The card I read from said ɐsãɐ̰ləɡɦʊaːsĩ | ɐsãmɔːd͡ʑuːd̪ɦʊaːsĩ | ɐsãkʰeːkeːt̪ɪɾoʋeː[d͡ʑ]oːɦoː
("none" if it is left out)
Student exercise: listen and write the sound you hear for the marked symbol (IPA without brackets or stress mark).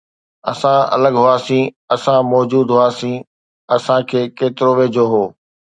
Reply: d͡ʑ